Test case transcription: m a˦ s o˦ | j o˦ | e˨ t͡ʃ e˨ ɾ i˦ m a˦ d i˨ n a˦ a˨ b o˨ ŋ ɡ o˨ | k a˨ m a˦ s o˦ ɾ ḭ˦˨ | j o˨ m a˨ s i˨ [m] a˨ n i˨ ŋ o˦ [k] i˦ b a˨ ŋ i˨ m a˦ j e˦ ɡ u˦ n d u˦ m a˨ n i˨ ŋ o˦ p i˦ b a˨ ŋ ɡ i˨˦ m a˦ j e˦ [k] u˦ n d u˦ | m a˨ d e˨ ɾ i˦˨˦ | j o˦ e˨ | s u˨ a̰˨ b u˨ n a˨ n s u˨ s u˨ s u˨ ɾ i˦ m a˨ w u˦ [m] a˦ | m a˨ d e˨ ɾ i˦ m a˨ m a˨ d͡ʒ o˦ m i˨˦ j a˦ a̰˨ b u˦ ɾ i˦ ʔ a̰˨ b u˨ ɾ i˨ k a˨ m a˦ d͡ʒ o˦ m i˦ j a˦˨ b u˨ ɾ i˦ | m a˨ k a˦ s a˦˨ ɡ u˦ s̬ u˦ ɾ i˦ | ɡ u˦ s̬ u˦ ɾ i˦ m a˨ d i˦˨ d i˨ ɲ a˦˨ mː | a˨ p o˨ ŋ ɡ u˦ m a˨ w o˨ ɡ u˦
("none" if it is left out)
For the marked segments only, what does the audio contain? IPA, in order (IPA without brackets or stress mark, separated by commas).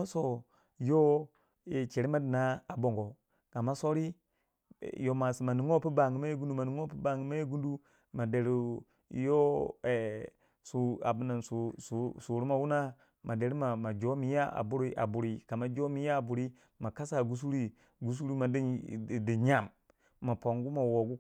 m, p, ɡ, n